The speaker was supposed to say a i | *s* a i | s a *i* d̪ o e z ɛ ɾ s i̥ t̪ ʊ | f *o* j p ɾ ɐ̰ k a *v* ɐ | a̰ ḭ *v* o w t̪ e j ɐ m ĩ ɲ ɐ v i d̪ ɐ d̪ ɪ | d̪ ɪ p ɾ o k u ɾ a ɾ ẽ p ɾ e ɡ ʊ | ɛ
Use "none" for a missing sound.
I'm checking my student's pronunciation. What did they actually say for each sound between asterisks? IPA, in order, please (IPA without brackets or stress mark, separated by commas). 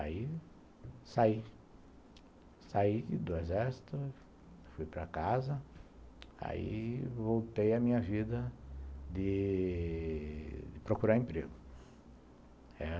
s, i, u, z, v